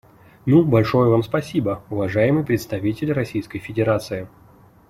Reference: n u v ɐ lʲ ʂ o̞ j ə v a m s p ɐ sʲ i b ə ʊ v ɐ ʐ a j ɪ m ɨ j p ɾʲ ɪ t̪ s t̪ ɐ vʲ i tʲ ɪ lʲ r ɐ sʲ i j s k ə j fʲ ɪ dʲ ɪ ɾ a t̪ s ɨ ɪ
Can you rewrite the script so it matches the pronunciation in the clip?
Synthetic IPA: n u b ɐ lʲ ʂ o̞ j ə v a m s p ɐ sʲ i b ə ʊ v ɐ ʐ a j ɪ m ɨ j p ɾʲ ɪ t̪ s t̪ ɐ vʲ i tʲ ɪ lʲ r ɐ sʲ i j s k ə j fʲ ɪ dʲ ɪ ɾ a t̪ s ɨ ɪ